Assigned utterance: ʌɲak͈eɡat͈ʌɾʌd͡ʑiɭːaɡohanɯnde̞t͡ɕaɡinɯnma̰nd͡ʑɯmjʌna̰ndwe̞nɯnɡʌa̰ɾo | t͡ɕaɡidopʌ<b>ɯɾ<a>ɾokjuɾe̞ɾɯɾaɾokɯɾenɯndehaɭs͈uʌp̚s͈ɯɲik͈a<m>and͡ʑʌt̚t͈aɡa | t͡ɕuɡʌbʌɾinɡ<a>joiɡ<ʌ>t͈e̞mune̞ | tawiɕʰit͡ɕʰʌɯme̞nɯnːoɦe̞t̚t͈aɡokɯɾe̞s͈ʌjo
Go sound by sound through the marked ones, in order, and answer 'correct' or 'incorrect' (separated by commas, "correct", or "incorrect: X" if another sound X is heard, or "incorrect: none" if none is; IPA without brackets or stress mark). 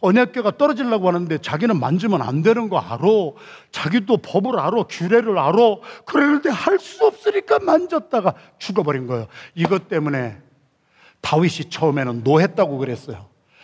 correct, correct, correct, incorrect: ʌ, correct